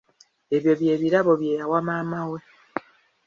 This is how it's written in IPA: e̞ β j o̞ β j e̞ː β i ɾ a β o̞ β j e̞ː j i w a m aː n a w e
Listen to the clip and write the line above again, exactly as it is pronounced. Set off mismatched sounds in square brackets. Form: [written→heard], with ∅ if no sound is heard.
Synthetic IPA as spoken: e̞ β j o̞ β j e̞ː β i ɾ a β o̞ β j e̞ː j [i→a] w a m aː [n→m] a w e